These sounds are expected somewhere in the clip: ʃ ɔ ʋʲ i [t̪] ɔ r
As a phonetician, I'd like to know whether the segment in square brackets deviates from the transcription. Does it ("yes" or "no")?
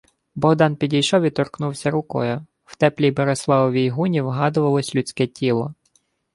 no